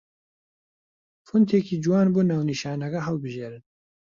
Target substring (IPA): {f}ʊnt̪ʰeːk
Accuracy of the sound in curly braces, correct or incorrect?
correct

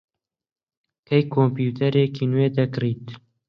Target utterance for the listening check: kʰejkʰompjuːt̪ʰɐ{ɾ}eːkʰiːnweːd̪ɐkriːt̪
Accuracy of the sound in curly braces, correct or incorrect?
correct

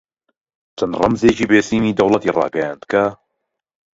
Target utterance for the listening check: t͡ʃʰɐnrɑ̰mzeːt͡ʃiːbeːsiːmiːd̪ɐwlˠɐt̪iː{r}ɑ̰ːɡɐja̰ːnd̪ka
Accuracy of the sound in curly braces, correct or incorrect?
correct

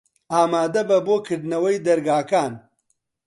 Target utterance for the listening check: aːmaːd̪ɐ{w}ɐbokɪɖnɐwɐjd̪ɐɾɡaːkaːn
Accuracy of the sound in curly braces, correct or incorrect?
incorrect: b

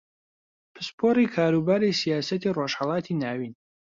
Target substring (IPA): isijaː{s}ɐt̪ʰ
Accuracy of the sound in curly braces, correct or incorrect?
correct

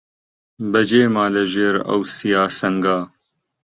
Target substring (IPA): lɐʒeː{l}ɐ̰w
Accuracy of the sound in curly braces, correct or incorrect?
incorrect: ɾ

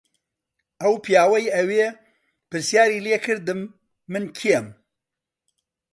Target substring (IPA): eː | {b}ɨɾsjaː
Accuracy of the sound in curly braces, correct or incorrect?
incorrect: p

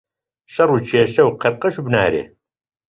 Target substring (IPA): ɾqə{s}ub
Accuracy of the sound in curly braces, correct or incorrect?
incorrect: ʃ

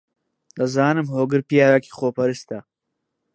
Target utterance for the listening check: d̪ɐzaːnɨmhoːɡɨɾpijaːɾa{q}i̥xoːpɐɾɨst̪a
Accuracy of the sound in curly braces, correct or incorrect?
incorrect: k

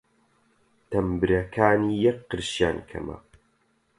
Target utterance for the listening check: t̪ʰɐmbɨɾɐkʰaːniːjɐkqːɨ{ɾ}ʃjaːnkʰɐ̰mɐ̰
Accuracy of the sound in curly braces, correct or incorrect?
correct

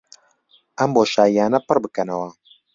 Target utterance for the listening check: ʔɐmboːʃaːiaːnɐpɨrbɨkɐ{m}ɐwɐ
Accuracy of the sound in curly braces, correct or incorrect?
incorrect: n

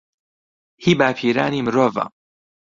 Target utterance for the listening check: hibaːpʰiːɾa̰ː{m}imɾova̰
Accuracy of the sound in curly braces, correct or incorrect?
incorrect: n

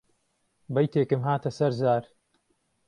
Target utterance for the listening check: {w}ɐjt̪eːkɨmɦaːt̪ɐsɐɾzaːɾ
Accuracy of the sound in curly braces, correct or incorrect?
incorrect: b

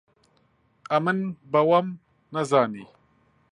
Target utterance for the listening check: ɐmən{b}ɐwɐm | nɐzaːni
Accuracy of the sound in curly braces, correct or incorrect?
correct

